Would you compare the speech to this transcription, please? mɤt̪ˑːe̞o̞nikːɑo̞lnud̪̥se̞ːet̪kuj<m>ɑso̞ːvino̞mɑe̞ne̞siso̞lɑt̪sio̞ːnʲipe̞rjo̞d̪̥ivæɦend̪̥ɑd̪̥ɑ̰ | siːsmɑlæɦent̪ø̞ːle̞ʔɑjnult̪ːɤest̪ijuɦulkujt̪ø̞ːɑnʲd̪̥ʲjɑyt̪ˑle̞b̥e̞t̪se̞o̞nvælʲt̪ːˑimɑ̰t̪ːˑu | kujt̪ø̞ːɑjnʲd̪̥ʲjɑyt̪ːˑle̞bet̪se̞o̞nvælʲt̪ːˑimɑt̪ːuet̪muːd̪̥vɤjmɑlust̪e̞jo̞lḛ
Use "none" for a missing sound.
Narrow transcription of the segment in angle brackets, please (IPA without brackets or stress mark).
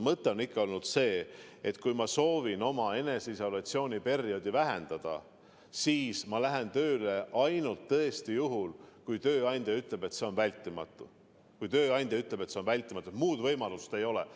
m